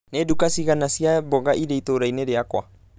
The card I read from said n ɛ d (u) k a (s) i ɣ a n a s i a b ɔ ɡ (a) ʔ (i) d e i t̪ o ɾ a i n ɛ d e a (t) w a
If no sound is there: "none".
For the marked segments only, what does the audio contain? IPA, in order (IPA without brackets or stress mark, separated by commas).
u, s, a, i, k